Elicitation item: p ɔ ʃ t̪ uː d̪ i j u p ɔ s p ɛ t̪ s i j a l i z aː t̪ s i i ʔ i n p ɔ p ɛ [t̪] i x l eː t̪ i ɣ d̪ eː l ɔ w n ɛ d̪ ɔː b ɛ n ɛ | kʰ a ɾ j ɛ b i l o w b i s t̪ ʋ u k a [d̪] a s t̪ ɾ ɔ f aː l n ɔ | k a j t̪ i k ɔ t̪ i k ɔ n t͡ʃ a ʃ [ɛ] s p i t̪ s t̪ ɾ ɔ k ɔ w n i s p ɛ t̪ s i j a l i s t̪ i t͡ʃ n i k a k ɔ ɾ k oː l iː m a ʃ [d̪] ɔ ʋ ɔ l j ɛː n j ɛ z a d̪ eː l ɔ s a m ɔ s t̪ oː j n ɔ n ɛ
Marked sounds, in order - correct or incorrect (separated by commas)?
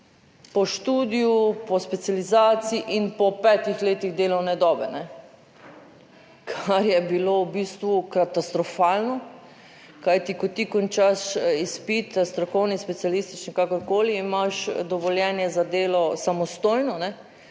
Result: correct, incorrect, incorrect, correct